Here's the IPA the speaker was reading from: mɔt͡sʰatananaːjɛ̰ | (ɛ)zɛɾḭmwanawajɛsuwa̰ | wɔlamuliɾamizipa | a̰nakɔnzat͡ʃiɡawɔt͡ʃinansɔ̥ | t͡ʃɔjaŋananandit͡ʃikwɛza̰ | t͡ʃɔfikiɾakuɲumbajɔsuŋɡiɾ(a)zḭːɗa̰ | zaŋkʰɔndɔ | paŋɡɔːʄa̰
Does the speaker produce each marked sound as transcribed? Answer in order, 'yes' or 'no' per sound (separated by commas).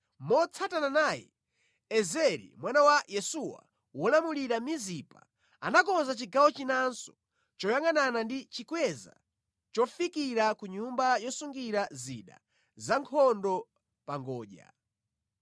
yes, yes